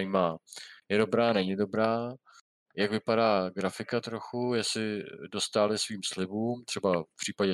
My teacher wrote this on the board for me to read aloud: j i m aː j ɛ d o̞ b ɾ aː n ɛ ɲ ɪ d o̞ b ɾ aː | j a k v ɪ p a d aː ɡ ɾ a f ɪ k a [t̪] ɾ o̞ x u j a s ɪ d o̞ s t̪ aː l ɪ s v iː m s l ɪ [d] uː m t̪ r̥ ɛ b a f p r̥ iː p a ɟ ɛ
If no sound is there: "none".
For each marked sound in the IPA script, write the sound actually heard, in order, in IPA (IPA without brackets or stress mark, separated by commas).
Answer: t̪, b